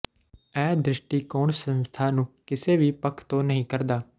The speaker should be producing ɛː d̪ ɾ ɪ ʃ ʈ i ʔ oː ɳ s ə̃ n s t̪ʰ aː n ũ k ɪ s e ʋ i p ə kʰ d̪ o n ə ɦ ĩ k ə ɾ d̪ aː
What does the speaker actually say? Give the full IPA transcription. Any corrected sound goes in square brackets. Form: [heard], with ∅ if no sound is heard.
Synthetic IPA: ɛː d̪ ɾ ɪ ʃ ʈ i [k] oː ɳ s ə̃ n s t̪ʰ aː n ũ k ɪ s e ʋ i p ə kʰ [t̪] o n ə ɦ ĩ k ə ɾ d̪ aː